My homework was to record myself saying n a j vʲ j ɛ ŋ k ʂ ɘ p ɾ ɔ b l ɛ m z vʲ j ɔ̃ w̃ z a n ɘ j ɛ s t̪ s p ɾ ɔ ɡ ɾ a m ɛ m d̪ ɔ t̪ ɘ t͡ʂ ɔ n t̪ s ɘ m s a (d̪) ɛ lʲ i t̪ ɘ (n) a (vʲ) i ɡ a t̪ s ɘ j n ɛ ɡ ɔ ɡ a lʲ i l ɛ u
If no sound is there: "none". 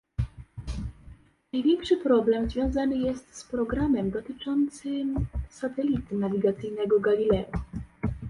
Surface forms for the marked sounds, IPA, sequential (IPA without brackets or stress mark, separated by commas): t̪, n, vʲ